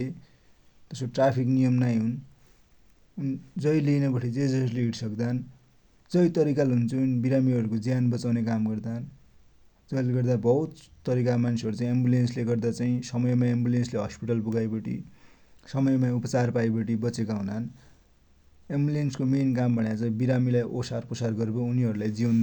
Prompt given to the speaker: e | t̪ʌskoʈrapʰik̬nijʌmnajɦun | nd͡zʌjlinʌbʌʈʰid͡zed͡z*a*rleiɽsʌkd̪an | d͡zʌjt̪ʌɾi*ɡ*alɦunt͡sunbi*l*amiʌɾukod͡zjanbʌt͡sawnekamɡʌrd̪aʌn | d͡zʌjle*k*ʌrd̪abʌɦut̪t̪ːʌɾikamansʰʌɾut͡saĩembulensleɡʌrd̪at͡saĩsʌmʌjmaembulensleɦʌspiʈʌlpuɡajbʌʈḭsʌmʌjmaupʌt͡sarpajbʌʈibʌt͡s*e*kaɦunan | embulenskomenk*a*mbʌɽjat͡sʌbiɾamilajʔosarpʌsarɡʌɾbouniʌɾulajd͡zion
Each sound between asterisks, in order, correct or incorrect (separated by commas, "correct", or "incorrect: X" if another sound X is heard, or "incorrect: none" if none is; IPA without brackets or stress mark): incorrect: ʌ, incorrect: k, incorrect: ɾ, incorrect: ɡ, correct, correct